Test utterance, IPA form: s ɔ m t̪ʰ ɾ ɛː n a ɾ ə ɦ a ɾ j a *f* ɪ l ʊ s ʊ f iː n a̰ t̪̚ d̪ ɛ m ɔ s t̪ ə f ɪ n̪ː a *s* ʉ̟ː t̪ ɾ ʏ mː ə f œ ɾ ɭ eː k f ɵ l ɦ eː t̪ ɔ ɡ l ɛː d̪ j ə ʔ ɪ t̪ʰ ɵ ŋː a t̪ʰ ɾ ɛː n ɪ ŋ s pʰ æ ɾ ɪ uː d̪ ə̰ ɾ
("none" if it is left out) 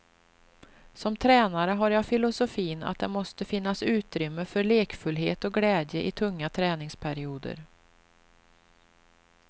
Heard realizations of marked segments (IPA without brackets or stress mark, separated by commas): f, s